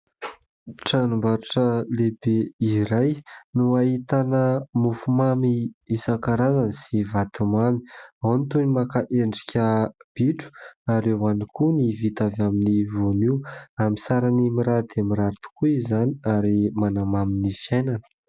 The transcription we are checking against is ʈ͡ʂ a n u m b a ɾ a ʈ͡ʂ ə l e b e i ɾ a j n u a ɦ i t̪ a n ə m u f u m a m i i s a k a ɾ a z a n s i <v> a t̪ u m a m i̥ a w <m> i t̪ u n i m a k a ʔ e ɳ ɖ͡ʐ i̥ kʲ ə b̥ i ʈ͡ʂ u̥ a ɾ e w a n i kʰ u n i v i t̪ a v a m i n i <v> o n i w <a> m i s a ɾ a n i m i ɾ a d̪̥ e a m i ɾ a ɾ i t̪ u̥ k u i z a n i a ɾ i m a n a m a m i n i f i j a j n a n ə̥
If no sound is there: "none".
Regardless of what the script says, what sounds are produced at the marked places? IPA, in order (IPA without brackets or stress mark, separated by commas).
v, n, v, a